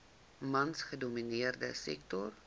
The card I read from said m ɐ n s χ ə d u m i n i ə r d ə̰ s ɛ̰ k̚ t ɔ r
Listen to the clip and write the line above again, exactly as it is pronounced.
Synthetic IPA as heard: m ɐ n s χ ə d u m i n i ə r d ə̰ s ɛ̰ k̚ t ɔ r